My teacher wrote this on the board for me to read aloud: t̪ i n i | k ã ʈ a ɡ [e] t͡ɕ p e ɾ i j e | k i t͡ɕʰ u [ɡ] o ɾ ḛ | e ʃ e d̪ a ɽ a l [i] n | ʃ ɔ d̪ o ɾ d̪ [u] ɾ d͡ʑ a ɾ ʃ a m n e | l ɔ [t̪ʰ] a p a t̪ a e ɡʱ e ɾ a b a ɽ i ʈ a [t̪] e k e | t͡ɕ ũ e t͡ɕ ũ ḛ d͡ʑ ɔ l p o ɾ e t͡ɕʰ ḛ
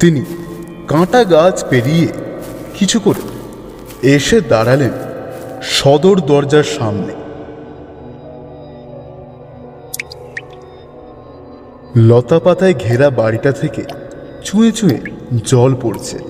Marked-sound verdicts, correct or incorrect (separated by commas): incorrect, incorrect, incorrect, incorrect, incorrect, incorrect